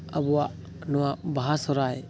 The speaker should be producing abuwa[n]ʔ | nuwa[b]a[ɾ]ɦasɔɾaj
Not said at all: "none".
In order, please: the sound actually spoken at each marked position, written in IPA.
none, b, none

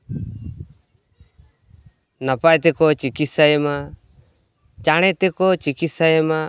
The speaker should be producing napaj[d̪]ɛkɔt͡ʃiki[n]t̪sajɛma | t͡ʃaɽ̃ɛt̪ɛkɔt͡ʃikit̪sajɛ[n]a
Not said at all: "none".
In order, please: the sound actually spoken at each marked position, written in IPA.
t̪, none, m

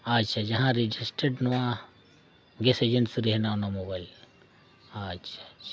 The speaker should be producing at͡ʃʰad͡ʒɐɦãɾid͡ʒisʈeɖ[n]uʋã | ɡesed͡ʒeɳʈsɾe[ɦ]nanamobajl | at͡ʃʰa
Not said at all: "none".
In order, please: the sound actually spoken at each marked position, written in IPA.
n, ɦ

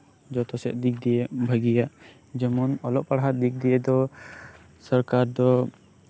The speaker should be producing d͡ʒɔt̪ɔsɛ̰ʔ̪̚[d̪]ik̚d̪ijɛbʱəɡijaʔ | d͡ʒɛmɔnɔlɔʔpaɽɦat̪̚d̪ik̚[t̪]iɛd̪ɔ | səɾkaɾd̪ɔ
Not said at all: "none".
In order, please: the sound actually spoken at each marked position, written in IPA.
d̪, d̪

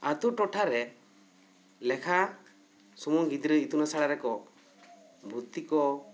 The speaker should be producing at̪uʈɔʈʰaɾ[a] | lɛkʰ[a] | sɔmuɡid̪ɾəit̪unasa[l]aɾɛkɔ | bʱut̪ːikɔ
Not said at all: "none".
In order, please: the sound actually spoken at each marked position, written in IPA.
ɛ, a, ɽ

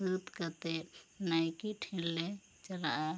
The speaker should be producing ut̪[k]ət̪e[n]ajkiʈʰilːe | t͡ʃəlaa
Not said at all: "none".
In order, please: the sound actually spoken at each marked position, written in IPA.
k, n

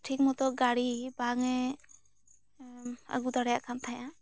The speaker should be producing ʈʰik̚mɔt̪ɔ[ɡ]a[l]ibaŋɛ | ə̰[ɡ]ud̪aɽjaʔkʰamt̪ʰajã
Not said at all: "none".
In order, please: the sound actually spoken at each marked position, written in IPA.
ɡ, ɽ, ɡ

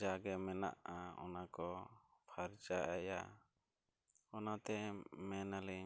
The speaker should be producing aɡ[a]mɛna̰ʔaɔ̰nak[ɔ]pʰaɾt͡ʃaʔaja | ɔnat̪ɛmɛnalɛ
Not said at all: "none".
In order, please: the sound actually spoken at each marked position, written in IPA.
ɛ, ɔ

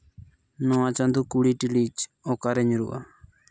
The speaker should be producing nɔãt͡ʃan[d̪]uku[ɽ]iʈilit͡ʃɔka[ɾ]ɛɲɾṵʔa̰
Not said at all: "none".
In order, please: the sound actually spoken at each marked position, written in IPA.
d̪, ɽ, ɾ

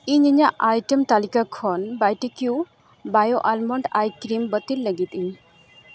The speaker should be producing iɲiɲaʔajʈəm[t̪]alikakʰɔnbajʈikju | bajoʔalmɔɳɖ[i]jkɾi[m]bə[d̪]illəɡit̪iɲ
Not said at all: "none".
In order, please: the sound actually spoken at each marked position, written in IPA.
t̪, a, m, t̪

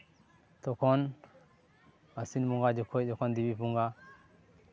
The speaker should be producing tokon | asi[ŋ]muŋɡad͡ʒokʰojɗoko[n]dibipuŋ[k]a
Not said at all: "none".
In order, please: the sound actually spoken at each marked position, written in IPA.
n, n, ɡ

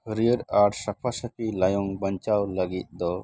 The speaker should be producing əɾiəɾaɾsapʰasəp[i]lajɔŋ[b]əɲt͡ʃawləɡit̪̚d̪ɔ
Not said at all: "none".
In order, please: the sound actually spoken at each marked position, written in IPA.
i, b

